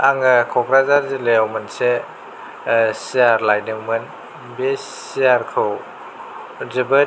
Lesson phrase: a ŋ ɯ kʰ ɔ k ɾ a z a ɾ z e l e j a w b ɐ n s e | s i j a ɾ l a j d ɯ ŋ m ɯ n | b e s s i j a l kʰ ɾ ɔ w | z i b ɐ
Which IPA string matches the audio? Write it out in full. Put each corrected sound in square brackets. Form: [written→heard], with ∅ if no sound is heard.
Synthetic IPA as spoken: a ŋ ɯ kʰ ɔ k ɾ a z a ɾ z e l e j a w [b→m] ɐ n s e | s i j a ɾ l a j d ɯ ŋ m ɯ n | b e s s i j a [l→ɾ] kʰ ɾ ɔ w | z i b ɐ